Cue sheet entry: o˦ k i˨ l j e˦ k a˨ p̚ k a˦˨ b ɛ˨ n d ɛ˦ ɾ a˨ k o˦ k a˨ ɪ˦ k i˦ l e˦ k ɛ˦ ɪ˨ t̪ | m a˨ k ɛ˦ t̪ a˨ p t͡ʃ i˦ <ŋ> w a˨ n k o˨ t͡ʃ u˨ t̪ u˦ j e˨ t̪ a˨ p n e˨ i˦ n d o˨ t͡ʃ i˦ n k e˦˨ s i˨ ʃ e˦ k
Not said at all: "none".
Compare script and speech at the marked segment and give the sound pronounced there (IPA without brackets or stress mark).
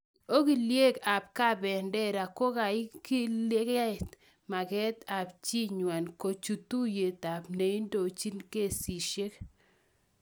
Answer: ɲ